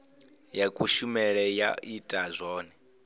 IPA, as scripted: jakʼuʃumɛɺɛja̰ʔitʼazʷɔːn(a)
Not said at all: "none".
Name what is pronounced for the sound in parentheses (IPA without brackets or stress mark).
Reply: ɛ